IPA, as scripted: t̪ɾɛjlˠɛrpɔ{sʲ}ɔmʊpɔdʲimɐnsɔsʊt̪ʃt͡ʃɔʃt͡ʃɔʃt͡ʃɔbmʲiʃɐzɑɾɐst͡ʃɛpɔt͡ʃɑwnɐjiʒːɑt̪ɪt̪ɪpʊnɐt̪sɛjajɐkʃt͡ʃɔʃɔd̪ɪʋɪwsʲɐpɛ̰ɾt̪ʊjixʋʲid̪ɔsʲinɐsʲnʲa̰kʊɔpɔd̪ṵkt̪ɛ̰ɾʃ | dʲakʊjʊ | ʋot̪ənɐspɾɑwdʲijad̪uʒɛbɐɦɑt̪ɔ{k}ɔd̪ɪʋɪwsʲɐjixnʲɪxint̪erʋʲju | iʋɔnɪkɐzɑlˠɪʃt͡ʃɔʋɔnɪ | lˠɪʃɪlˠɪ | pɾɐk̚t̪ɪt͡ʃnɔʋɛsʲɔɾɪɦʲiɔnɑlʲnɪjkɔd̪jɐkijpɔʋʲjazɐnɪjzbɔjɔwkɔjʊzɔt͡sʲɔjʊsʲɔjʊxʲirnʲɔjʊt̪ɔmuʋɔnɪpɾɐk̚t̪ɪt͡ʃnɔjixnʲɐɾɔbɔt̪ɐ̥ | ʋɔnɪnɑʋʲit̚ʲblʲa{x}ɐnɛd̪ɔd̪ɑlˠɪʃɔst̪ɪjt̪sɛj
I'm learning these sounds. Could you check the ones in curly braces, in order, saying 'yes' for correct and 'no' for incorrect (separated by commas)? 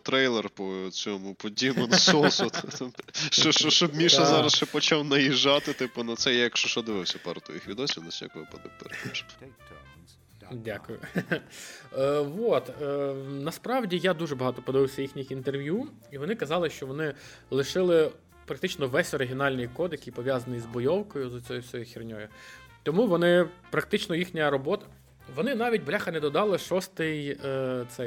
no, no, yes